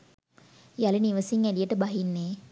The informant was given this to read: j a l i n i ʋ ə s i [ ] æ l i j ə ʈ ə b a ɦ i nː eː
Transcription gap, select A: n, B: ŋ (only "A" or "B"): B